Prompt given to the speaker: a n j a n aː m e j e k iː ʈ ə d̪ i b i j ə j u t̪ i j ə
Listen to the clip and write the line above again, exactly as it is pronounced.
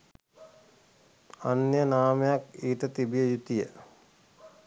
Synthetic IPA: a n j ə n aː m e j a k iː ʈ ə t̪ i b i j ə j u t̪ i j ə

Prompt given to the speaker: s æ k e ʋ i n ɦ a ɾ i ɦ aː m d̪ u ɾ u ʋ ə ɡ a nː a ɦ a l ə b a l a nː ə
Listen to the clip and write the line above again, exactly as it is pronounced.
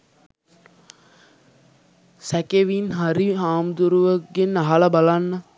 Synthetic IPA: s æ k e ʋ i n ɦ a ɾ i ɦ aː m d̪ u ɾ u ʋ ə ɡ e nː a ɦ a l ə b a l a nː ə

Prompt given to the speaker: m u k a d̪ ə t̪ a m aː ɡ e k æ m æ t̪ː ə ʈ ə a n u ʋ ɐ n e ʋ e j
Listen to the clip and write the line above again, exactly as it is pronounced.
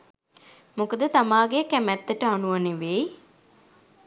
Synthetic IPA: m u k ə d̪ ə t̪ a m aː ɡ e k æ m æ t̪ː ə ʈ ə a n u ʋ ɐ n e ʋ e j

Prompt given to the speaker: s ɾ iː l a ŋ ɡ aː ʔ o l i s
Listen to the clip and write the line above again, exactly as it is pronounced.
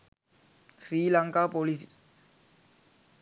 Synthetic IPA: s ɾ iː l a ŋ k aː p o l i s

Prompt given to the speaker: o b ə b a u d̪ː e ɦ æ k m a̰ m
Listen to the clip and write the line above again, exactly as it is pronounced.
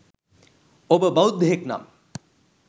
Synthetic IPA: o b ə b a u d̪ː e ɦ e k n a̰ m

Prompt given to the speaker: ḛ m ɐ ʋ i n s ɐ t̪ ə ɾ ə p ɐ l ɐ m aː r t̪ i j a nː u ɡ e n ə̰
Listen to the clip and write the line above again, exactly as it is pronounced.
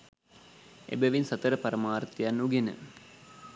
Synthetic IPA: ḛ b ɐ ʋ i n s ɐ t̪ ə ɾ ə p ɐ ɾ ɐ m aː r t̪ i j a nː u ɡ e n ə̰

